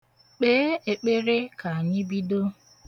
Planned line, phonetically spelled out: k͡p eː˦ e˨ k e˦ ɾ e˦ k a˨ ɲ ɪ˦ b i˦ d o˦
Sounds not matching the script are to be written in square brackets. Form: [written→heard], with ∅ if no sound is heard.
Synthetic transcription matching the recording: k͡p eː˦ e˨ [k→k͡p] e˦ ɾ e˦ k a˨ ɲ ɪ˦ b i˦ d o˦

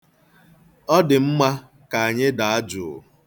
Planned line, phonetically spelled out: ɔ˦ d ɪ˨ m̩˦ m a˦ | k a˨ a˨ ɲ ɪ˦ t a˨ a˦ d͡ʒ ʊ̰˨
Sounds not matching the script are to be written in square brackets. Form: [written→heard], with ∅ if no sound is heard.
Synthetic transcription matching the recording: ɔ˦ d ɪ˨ m̩˦ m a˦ | k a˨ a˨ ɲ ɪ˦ [t→d] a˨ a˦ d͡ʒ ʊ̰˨

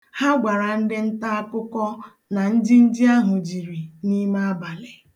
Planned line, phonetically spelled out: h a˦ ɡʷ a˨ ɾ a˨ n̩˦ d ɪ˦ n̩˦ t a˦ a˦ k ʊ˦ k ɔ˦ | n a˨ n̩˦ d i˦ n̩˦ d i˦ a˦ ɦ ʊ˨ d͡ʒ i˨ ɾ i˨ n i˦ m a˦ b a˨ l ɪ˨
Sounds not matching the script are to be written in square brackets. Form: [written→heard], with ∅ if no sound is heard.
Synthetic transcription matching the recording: h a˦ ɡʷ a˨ ɾ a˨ n̩˦ d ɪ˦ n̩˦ t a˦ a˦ k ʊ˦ k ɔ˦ | n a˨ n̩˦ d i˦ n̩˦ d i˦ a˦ ɦ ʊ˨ d͡ʒ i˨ ɾ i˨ n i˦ m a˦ b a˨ l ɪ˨

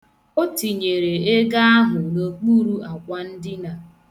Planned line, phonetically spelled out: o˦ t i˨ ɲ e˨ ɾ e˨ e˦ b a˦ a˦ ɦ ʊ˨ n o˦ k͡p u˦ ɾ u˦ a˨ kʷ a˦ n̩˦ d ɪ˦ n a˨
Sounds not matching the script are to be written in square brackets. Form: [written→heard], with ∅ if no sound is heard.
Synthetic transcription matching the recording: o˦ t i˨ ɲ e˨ ɾ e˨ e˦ [b→ɡ] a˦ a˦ ɦ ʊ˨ n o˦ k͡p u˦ ɾ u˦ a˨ kʷ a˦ n̩˦ d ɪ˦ n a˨

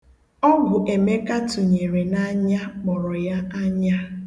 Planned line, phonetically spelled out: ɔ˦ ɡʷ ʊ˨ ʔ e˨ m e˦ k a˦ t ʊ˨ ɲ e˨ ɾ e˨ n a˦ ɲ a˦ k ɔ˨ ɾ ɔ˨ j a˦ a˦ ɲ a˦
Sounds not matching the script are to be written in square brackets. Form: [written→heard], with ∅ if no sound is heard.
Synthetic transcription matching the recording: ɔ˦ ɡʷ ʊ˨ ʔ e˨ m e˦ k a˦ t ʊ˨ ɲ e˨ ɾ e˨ n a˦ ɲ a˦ [k→k͡p] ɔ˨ ɾ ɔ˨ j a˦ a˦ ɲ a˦

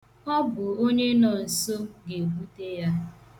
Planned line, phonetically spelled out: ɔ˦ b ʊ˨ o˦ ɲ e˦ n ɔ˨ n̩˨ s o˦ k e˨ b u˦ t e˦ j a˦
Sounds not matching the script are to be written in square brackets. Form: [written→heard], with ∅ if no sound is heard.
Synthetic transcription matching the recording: ɔ˦ b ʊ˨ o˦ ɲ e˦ n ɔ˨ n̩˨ s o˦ [k→ɡ] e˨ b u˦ t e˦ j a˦

